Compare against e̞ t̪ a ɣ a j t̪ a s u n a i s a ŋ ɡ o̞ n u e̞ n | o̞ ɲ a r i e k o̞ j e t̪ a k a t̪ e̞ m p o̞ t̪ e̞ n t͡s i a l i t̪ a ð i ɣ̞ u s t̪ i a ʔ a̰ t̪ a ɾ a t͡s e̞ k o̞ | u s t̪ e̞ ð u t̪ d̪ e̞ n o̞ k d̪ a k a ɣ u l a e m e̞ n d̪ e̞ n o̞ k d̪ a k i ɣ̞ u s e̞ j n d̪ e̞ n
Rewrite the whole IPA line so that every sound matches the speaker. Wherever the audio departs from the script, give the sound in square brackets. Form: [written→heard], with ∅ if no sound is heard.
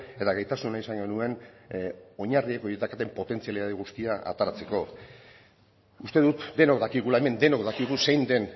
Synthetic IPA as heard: e̞ t̪ a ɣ a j t̪ a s u n a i s a ŋ ɡ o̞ n u e̞ n | o̞ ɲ a r i e k o̞ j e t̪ a k a t̪ e̞ m p o̞ t̪ e̞ n t͡s i a l i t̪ a ð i ɣ̞ u s t̪ i a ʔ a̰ t̪ a ɾ a t͡s e̞ k o̞ | u s t̪ e̞ ð u t̪ d̪ e̞ n o̞ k d̪ a k [a→i] ɣ u l a e m e̞ n d̪ e̞ n o̞ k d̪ a k i ɣ̞ u s e̞ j n d̪ e̞ n